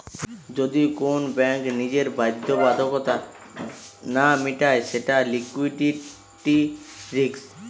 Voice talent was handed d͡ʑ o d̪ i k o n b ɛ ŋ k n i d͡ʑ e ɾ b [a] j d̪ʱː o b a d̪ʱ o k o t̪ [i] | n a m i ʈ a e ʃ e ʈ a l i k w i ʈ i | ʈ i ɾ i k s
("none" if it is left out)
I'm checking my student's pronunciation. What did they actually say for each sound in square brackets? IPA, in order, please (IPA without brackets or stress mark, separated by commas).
a, a